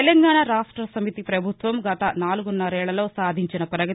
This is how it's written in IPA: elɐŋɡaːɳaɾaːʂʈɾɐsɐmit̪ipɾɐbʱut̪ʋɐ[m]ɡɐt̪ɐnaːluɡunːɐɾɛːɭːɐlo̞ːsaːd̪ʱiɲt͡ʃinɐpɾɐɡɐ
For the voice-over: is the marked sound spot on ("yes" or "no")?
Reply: yes